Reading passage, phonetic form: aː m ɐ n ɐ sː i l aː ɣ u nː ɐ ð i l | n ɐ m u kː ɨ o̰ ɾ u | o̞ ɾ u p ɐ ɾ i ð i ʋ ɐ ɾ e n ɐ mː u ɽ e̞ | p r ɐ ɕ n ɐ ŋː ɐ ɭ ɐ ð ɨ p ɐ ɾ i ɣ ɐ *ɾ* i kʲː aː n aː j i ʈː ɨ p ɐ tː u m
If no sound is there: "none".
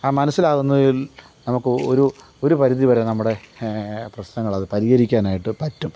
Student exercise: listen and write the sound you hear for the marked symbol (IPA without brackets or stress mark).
ɾ